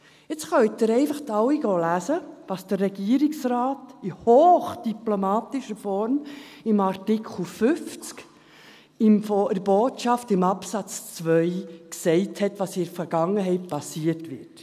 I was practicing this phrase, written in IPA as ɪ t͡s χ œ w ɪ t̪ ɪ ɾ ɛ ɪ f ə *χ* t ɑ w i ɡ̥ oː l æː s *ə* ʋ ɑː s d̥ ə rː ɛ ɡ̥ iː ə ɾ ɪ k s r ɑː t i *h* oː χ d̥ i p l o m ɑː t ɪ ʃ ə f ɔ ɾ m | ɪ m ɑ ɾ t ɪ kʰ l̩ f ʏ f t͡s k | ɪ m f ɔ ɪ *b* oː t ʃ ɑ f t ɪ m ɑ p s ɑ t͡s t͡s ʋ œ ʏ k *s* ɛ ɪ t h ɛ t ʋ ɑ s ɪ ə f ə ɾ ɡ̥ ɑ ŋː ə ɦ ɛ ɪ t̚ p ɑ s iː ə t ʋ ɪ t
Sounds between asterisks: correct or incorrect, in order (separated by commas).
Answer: correct, correct, correct, correct, correct